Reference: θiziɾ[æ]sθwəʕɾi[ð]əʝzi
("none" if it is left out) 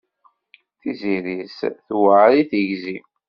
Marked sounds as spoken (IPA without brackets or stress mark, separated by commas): i, θ